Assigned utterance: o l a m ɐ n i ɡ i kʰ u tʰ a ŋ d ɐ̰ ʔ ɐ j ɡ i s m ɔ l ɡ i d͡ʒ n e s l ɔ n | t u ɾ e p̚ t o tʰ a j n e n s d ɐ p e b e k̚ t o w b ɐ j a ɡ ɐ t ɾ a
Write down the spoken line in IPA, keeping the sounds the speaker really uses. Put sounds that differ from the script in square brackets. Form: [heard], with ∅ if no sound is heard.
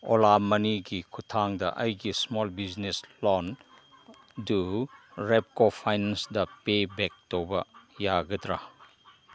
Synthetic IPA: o l a m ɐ n i ɡ i kʰ u tʰ a ŋ d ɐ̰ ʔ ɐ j ɡ i s m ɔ l [b] i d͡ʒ n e s l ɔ n | [d] u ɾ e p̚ [k] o [pʰ] a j n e n s d ɐ p e b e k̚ t o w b ɐ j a ɡ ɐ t ɾ a

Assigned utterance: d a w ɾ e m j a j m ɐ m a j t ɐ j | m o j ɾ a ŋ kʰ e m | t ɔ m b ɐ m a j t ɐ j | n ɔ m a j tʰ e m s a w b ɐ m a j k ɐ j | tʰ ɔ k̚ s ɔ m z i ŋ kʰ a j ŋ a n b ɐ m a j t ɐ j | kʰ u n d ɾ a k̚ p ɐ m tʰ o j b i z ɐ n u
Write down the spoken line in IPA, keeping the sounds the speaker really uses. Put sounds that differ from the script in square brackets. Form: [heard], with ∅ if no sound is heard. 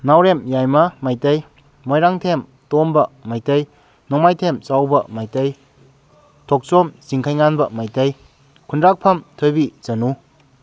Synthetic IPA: [n] a w ɾ e m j a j m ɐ m a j t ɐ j | m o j ɾ a ŋ [tʰ] e m | t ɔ m b ɐ m a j t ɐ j | n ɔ m a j tʰ e m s a w b ɐ m a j [t] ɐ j | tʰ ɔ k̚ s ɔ m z i ŋ kʰ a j ŋ a n b ɐ m a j t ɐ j | kʰ u n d ɾ a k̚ [pʰ] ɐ m tʰ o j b i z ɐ n u

